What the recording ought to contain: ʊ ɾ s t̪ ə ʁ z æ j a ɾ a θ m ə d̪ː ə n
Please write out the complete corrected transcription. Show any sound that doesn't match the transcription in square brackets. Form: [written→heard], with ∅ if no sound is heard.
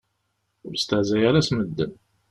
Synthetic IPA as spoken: ʊ ɾ s t̪ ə [ʁ→ʕ] z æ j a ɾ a [θ→s] m ə d̪ː ə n

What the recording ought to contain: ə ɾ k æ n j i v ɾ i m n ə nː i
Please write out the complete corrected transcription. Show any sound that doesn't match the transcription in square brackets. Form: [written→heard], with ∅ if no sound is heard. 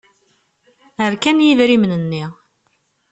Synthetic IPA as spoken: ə ɾ k æ n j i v ɾ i m n ə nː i

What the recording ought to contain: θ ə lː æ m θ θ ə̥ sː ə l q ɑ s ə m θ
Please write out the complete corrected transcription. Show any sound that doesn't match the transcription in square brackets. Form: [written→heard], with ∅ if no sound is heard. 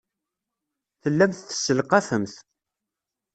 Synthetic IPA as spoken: θ ə lː æ m θ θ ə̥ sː ə l q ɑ [s→f] ə m θ

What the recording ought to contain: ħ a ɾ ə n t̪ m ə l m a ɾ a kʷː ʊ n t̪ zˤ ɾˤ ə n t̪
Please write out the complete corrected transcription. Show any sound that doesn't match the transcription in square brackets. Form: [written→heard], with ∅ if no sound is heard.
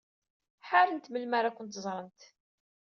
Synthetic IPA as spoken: ħ a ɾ ə n t̪ m ə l m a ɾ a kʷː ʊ n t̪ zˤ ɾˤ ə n t̪

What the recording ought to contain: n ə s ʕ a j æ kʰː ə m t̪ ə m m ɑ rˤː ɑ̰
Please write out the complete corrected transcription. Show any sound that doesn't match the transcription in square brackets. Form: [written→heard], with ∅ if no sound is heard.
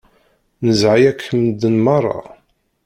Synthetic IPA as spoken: n ə [s→z] ʕ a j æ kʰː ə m [t̪→d̪] ə [m→n] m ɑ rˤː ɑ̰

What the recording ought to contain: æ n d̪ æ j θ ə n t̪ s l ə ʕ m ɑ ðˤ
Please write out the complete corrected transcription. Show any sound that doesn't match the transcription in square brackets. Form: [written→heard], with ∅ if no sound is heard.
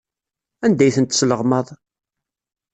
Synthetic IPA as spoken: æ n d̪ æ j θ ə n t̪ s l ə [ʕ→ʁ] m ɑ ðˤ

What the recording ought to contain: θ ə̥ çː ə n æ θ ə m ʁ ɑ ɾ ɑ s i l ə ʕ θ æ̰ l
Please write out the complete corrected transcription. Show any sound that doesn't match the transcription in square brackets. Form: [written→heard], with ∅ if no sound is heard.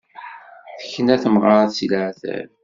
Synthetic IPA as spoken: θ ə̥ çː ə n æ θ ə m ʁ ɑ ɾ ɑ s i l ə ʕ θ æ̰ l

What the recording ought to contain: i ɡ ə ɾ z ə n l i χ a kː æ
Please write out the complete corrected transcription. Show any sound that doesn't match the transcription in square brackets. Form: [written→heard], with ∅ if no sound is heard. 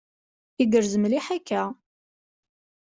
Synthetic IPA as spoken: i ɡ ə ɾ z ə [n→m] l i [χ→ħ] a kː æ

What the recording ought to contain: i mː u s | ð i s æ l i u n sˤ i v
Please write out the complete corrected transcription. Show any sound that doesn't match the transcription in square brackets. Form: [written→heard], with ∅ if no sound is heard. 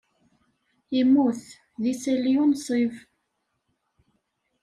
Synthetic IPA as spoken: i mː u [s→θ] | ð i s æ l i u n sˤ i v

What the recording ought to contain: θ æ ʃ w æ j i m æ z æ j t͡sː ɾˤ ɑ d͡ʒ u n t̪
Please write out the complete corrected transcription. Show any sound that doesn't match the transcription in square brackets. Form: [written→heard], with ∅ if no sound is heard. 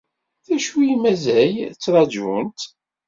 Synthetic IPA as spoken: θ æ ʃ w [æ→i] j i m æ z æ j t͡sː ɾˤ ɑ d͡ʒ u n t̪

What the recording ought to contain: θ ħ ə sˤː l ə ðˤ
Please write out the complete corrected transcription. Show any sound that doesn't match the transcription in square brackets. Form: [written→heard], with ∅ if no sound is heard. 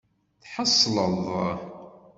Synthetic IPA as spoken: θ ħ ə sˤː l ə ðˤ

